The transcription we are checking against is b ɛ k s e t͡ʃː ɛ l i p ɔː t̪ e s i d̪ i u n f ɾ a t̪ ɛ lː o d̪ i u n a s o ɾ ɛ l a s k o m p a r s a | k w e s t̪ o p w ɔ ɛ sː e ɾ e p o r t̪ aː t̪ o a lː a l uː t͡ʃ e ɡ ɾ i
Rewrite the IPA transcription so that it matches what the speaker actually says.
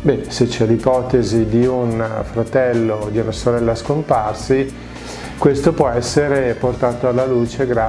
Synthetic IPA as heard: b ɛ s e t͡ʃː ɛ l i p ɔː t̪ e z i d̪ i u n f ɾ a t̪ ɛ lː o d̪ i u n a s o ɾ ɛ lː a s k o m p a r s i | k w e s t̪ o p w ɔ ɛ sː e ɾ e p o r t̪ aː t̪ o a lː a l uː t͡ʃ e ɡ ɾ a